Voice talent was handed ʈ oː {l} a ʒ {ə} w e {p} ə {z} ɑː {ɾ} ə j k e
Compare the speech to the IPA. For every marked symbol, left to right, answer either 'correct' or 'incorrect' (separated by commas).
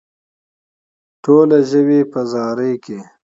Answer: correct, correct, correct, correct, correct